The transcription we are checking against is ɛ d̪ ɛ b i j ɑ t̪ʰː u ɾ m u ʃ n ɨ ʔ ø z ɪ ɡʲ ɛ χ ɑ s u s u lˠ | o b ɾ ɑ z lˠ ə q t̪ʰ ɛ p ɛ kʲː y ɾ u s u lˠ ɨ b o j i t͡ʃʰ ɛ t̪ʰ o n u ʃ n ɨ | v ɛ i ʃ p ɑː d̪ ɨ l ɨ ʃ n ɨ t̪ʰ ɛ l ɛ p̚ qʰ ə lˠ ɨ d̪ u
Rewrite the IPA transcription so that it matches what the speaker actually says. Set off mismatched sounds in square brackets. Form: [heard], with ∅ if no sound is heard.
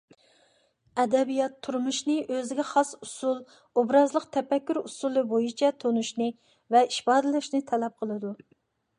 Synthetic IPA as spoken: ɛ d̪ ɛ b i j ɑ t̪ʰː u ɾ m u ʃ n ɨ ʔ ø z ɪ ɡʲ ɛ χ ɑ s u s u lˠ | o b ɾ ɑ z lˠ ə q t̪ʰ ɛ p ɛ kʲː y ɾ u s u lˠ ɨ b o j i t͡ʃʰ ɛ t̪ʰ o n u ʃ n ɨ | v ɛ i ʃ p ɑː d̪ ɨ l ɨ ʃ n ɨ t̪ʰ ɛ l ɛ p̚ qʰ ə lˠ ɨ d̪ u

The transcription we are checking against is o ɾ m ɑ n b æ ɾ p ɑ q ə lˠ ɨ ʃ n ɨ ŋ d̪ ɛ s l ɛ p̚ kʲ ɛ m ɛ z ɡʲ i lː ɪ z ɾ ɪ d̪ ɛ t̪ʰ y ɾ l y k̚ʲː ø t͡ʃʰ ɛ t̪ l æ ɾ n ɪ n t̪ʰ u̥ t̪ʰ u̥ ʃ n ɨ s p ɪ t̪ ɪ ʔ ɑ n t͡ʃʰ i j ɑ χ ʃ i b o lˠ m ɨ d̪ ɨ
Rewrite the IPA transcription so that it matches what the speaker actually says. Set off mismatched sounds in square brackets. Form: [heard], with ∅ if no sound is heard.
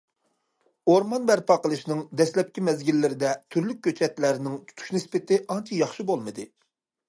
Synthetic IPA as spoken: o ɾ m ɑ n b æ ɾ p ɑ q ə lˠ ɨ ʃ n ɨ ŋ d̪ ɛ s l ɛ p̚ kʲ [i] m ɛ z ɡʲ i lː ɪ [∅] ɾ ɪ d̪ ɛ t̪ʰ y ɾ l y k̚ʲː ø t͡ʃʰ ɛ t̪ l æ ɾ n ɪ [ŋ] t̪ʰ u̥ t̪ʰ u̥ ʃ n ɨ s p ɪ t̪ ɪ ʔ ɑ n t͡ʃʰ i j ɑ χ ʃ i b o lˠ m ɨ d̪ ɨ

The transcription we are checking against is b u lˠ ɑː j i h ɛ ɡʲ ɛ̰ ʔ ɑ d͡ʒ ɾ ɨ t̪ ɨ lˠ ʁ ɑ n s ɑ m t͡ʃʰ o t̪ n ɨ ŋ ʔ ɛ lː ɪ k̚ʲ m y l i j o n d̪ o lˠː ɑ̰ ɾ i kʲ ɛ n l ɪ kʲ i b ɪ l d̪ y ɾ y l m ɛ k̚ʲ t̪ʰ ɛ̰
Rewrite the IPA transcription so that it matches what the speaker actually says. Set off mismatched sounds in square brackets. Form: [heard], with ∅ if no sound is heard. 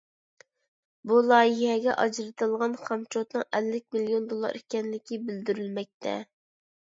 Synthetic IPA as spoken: b u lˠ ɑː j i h ɛ ɡʲ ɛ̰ ʔ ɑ d͡ʒ ɾ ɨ t̪ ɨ lˠ ʁ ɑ n [χ] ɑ m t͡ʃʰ o t̪ n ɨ ŋ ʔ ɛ lː ɪ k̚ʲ m [i] l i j o n d̪ o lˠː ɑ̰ ɾ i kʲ ɛ n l ɪ kʲ i b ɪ l d̪ y ɾ y l m ɛ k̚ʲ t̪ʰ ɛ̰

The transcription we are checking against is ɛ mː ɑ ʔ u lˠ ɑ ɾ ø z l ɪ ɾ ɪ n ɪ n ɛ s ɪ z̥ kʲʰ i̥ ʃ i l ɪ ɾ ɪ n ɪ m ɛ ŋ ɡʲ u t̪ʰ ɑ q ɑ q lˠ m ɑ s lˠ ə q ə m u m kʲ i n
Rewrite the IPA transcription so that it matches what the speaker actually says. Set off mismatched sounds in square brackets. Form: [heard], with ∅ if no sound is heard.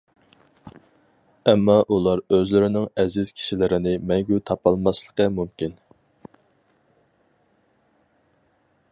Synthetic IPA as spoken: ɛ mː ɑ ʔ u lˠ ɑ ɾ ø z l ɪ ɾ ɪ n ɪ [ŋ] ɛ [z] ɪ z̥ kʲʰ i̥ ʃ i l ɪ ɾ ɪ n ɪ m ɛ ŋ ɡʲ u t̪ʰ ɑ [p] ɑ [∅] lˠ m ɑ s lˠ ə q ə m u m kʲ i n

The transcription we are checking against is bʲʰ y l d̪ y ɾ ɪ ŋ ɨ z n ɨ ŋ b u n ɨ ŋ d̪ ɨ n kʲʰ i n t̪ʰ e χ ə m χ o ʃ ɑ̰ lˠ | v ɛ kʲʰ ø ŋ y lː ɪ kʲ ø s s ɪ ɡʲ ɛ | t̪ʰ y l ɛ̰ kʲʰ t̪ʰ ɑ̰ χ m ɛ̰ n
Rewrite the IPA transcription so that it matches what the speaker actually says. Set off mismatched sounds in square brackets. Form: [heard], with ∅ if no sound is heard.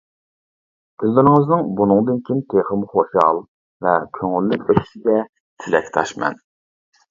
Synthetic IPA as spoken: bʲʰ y l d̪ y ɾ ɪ ŋ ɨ z n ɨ ŋ b u n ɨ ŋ d̪ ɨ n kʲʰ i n t̪ʰ e χ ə m χ o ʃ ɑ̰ lˠ | v ɛ kʲʰ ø ŋ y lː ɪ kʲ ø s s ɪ ɡʲ ɛ | t̪ʰ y l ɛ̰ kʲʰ t̪ʰ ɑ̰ [ʃ] m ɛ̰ n

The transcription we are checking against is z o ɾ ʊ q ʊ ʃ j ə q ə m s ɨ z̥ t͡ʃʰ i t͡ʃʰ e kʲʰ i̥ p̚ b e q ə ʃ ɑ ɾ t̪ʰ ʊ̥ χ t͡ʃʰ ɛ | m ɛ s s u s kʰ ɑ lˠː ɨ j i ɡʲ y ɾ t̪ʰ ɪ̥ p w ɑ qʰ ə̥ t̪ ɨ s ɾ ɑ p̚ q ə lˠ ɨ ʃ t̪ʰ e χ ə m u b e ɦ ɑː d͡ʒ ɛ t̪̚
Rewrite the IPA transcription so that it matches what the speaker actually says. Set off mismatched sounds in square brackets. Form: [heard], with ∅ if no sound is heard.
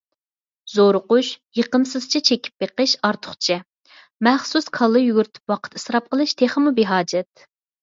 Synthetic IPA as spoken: z o ɾ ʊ q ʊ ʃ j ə q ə m s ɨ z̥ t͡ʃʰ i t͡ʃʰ e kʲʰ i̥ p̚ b e q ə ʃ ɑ ɾ t̪ʰ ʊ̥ χ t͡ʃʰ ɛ | m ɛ [χ] s u s kʰ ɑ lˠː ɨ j [y] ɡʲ y ɾ t̪ʰ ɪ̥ p w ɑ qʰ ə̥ t̪ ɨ s ɾ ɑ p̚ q ə lˠ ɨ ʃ t̪ʰ e χ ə m u b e ɦ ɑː d͡ʒ ɛ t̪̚

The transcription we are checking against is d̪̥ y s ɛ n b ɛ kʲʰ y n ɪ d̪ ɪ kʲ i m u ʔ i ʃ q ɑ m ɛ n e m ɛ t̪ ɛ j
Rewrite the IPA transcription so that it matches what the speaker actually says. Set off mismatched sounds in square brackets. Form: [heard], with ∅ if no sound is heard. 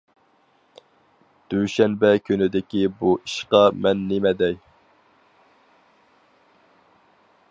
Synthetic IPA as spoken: d̪̥ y [ʃ] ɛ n b ɛ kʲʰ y n ɪ d̪ ɪ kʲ i [b] u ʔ i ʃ q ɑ m ɛ [nː] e m ɛ [d̪] ɛ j

